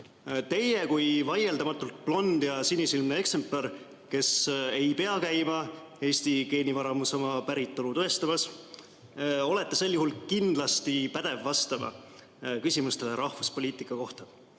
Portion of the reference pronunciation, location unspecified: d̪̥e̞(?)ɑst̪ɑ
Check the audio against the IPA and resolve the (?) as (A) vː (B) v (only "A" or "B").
A